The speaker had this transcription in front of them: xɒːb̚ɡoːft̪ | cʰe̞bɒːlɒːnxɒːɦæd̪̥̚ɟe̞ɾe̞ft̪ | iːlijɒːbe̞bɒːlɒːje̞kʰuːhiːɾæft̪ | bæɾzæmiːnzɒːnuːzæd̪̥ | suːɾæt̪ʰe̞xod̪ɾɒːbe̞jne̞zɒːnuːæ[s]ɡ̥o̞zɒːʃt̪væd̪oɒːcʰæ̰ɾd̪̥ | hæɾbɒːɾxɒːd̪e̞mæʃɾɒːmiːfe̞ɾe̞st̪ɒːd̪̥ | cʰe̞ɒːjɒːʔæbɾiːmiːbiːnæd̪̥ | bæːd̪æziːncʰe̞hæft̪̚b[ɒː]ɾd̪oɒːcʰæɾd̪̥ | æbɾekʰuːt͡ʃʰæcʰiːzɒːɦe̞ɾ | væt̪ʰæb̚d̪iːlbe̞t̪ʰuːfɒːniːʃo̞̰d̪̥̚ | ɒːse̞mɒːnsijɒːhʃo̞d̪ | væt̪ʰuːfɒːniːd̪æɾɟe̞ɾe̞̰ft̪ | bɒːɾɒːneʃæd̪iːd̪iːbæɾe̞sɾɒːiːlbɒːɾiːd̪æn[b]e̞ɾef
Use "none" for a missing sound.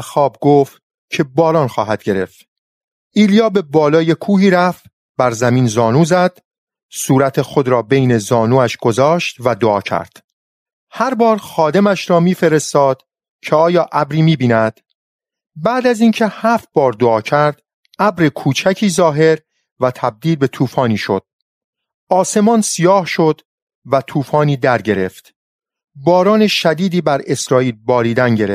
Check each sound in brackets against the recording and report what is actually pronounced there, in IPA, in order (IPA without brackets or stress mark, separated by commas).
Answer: ʃ, ɒː, ɟ